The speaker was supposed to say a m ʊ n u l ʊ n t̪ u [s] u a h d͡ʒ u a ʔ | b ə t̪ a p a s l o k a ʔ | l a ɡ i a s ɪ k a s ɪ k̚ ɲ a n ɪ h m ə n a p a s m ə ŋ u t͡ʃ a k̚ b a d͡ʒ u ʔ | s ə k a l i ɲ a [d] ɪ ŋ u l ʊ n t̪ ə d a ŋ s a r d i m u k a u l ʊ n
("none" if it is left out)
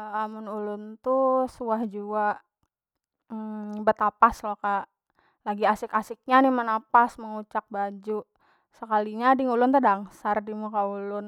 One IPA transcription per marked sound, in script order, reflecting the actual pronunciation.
s, d

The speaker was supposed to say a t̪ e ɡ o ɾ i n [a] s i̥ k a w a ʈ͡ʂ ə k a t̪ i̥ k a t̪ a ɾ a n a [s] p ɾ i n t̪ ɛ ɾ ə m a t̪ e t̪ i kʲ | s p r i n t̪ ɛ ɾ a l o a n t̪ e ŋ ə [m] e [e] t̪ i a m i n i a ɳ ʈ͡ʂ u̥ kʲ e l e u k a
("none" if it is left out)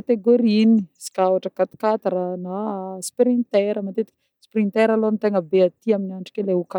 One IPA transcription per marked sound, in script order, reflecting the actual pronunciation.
i, s, b, a

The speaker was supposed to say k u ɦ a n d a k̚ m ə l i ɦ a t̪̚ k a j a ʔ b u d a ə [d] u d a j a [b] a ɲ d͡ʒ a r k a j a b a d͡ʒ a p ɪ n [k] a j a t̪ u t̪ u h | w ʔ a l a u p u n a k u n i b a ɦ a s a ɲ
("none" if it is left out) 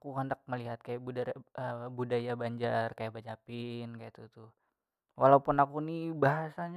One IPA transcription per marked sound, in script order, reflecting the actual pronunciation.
b, b, k

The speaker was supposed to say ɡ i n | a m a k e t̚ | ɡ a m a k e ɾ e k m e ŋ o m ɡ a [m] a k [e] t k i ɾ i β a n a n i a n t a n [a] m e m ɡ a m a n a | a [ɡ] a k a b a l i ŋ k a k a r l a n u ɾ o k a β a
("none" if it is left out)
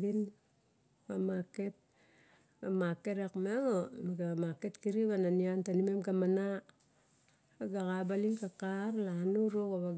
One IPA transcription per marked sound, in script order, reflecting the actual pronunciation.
m, e, i, ɡ

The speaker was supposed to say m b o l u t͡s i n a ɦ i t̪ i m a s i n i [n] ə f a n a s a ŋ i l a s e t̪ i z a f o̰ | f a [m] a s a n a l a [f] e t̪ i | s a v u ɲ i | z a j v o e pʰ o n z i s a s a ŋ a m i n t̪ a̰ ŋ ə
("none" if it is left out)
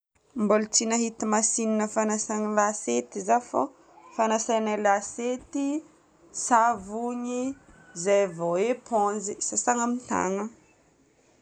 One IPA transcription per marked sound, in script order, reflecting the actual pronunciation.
n, n, s

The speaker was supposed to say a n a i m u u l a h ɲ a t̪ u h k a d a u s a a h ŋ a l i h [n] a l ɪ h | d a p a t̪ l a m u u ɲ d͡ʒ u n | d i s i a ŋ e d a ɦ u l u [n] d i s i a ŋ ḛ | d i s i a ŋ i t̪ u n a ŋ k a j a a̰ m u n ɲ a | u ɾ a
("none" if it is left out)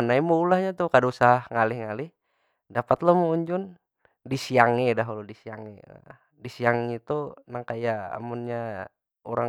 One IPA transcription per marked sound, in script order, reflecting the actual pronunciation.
ŋ, none

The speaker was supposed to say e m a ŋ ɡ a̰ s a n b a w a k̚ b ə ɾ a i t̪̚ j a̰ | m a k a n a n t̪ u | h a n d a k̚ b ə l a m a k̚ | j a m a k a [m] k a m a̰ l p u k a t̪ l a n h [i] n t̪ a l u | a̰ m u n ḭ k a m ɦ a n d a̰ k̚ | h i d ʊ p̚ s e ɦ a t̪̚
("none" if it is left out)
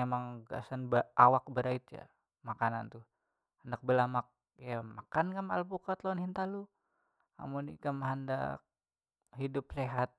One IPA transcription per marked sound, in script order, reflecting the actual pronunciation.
n, i

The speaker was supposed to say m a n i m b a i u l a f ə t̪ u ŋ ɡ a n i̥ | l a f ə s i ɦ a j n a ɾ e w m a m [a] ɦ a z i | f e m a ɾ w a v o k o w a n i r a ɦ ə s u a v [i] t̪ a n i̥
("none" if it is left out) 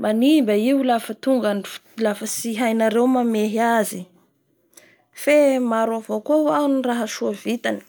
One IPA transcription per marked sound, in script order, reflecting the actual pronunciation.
e, i

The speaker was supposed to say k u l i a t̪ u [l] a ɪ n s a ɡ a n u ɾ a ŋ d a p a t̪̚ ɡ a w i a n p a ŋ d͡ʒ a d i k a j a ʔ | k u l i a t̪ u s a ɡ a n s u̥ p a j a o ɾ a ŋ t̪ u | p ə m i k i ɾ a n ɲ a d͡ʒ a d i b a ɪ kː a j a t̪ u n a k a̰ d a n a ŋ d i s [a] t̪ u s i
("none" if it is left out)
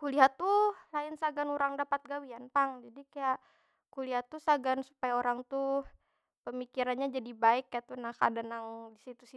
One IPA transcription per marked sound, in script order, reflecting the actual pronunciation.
l, i

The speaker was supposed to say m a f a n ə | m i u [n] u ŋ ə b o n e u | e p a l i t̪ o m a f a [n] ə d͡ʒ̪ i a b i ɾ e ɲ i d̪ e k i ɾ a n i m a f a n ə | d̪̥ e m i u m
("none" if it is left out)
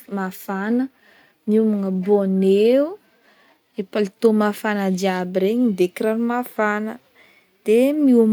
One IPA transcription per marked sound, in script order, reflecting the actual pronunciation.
m, n

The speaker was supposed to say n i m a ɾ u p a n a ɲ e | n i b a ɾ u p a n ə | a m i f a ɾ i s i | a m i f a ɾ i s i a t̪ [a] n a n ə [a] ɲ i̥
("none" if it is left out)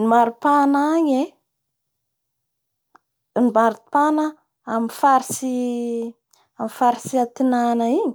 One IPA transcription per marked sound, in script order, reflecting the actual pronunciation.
i, i

